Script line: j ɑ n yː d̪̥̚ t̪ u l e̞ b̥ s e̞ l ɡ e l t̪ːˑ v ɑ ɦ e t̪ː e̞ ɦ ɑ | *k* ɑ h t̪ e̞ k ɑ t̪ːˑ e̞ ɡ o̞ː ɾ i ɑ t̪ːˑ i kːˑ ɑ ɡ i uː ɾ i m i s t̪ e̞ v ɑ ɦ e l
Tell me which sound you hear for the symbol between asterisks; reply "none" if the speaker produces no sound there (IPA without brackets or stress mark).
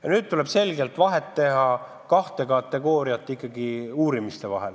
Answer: k